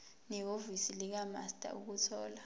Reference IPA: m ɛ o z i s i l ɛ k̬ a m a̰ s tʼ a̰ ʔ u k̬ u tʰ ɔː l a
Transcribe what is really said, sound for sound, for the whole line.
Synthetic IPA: n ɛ o v i s i l i k̬ a m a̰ s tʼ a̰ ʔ u k̬ u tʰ ɔː l a